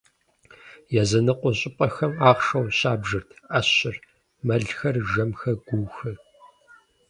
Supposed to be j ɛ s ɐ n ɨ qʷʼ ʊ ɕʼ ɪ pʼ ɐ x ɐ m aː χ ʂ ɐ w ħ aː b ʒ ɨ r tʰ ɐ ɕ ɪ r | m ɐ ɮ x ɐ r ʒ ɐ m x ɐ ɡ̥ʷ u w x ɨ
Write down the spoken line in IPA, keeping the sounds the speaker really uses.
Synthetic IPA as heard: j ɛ z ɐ n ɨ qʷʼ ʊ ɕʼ ɪ pʼ ɐ x ɐ m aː χ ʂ ɐ w ɕ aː b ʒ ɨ r tʰ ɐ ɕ ɪ r | m ɐ ɮ x ɐ r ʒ ɐ m x ɐ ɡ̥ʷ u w x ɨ